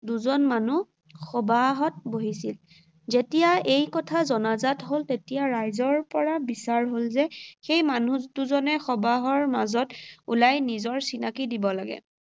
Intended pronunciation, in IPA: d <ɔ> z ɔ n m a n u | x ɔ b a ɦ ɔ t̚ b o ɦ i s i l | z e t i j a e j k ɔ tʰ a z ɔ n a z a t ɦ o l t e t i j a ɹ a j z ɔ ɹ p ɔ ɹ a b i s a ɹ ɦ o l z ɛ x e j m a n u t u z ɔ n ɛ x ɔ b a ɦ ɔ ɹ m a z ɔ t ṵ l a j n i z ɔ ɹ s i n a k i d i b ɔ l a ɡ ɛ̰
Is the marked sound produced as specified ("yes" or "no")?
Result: no